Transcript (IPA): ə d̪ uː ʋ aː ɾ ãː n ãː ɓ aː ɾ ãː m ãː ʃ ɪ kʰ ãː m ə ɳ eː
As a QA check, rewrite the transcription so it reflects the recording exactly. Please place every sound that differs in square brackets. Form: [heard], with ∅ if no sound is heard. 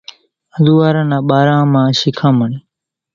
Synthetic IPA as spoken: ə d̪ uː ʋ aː ɾ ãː n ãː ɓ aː ɾ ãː m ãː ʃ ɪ kʰ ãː m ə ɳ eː